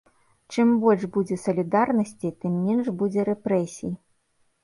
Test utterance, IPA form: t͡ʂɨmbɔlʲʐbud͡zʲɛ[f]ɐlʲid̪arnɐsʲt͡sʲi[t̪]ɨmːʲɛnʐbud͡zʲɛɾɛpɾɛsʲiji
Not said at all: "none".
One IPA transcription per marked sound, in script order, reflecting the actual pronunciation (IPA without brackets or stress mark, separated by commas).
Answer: s, t̪